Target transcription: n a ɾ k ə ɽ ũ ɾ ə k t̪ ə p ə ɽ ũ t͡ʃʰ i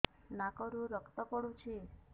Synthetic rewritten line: n a k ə ɾ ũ ɾ ə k t̪ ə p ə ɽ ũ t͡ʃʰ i